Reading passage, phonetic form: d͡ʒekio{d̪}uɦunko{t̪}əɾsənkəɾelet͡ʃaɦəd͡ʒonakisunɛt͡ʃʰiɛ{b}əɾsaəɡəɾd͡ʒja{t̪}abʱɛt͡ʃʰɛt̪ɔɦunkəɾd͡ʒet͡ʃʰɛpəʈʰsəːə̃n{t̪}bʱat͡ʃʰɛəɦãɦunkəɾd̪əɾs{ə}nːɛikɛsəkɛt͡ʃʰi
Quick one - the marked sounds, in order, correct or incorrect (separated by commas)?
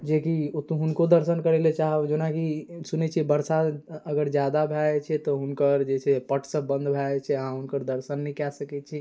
incorrect, incorrect, correct, incorrect, incorrect, correct